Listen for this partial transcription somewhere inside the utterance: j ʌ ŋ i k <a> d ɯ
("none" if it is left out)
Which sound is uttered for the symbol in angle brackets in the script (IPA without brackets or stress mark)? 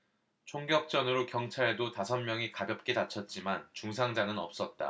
a